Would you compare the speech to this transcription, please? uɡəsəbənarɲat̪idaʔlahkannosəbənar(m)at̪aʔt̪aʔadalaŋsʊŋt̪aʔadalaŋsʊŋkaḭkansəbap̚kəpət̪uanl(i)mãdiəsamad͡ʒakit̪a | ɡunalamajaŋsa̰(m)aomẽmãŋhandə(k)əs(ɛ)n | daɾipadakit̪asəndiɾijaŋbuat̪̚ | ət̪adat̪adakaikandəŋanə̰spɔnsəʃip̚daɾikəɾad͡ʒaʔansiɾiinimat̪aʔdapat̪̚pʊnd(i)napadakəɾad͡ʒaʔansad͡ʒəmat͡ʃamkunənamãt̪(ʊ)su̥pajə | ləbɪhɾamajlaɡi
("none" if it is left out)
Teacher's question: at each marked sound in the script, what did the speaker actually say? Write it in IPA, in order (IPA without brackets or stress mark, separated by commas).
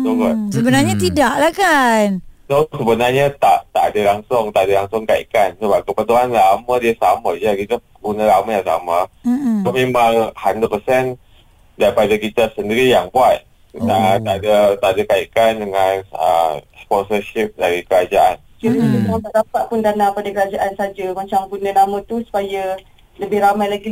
ɲ, a, m, p, ɛ, a, u